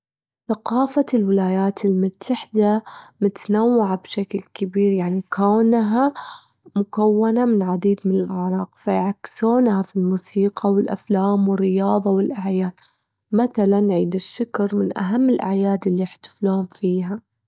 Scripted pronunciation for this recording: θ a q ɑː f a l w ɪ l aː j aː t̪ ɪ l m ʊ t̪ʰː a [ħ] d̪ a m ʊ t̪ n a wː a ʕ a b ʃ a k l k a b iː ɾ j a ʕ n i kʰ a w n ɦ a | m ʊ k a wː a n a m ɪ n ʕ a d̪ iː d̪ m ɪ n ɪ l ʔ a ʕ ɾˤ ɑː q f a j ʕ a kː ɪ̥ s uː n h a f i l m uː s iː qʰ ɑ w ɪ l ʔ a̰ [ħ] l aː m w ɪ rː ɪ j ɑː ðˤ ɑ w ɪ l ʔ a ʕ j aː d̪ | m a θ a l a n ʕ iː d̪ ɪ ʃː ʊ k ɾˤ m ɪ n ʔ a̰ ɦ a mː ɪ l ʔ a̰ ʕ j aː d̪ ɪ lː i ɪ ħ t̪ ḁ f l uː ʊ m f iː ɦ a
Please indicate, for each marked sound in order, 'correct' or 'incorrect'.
correct, incorrect: f

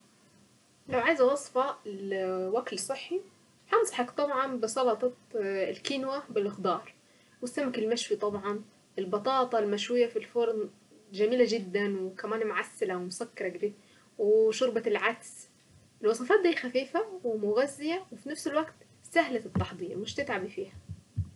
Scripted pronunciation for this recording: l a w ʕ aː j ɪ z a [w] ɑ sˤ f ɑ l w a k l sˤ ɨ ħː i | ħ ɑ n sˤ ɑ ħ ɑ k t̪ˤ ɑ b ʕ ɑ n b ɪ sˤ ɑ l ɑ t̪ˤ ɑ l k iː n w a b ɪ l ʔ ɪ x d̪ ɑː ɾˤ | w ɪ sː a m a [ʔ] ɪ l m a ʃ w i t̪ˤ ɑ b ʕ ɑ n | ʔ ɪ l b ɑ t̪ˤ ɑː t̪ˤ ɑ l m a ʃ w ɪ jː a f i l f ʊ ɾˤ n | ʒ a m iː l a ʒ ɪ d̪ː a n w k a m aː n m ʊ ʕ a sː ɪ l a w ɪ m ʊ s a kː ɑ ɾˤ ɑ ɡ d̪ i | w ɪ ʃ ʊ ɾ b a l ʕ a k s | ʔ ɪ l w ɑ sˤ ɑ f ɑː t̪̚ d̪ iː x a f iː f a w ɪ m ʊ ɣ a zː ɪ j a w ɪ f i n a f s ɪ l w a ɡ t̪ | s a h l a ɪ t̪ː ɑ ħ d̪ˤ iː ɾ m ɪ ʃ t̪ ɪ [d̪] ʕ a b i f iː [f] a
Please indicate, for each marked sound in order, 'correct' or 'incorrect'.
correct, incorrect: k, incorrect: t̪, incorrect: h

